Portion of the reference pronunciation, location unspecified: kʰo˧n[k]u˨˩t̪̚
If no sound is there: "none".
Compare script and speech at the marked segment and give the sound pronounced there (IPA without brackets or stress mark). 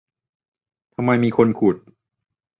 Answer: kʰ